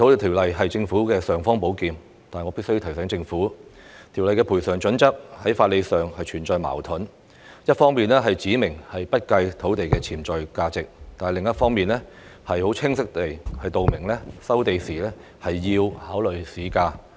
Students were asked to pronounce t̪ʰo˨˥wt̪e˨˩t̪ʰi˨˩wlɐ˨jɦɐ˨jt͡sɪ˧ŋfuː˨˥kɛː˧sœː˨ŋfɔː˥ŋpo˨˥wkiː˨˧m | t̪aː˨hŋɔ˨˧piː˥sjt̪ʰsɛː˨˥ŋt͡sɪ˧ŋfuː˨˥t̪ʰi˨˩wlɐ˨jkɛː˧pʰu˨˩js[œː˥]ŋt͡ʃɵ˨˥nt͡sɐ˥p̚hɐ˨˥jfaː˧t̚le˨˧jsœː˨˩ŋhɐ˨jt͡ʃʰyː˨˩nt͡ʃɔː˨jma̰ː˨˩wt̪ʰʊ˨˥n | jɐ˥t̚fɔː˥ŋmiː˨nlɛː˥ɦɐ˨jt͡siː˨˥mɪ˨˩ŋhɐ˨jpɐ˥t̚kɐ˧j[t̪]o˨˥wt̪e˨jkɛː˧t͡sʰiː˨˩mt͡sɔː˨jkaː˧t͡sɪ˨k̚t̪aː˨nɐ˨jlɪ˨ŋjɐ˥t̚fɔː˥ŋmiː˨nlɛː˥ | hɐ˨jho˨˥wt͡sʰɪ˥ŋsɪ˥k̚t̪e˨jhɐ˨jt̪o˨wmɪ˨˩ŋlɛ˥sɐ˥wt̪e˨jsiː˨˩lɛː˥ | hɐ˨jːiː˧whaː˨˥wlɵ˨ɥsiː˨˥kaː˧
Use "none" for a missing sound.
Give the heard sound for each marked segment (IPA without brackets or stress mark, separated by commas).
œː˨˩, t̪ʰ